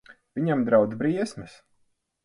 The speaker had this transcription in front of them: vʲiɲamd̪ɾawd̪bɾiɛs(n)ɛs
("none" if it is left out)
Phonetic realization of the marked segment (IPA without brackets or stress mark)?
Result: m